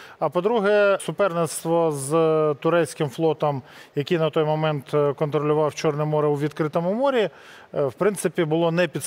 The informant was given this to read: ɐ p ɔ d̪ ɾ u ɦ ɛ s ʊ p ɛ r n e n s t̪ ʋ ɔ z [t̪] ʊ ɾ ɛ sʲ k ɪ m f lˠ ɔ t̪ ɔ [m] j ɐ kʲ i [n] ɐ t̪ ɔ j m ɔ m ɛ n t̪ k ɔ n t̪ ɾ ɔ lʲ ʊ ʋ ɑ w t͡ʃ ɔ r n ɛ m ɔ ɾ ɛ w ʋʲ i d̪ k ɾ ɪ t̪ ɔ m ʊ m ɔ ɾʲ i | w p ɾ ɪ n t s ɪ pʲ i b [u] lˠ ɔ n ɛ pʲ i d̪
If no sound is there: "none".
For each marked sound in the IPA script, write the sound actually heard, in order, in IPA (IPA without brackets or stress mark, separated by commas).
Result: t̪, m, n, ʊ